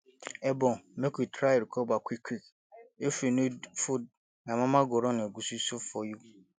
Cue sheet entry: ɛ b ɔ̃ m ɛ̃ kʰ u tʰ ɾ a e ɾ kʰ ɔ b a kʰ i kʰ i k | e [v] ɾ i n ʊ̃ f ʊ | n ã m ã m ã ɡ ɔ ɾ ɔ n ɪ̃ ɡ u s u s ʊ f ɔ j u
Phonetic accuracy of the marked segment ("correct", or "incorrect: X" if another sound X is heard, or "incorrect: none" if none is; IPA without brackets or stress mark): incorrect: f